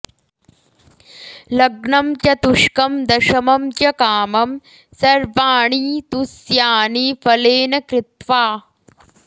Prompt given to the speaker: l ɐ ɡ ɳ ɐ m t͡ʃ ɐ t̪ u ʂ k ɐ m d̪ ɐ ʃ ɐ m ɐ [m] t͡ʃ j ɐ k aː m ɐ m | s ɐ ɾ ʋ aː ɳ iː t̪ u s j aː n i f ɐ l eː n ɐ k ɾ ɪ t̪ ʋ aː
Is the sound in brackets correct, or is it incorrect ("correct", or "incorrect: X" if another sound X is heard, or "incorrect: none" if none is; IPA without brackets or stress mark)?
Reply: correct